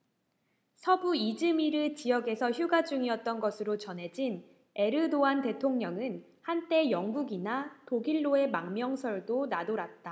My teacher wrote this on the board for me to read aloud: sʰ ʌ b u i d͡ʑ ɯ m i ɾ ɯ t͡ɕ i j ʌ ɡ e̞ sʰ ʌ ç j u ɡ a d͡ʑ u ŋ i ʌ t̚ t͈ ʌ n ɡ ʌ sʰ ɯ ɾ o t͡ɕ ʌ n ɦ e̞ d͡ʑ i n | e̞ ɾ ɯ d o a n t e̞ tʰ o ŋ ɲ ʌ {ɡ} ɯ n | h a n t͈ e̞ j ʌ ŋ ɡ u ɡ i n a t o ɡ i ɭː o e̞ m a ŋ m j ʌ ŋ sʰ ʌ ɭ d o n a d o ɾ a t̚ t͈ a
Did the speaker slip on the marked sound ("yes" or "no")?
yes